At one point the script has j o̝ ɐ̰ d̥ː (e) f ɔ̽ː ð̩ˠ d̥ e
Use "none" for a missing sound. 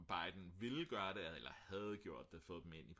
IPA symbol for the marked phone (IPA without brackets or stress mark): e